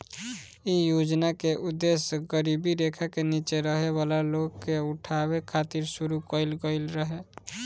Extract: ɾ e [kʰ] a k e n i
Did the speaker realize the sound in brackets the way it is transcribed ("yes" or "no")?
yes